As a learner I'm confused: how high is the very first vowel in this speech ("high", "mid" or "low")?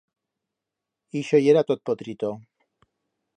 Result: high